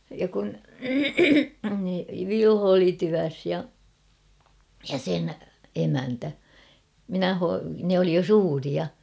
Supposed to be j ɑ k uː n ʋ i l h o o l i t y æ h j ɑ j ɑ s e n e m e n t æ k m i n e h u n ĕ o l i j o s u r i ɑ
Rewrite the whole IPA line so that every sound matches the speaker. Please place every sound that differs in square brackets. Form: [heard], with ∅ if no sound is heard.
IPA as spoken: j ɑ k [u] n ʋ i l h o o l i t y æ [s] j ɑ j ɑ s e n e m [æ] n t æ [∅] m i n [æ] h [o] n ĕ o l i j o s [uː] r i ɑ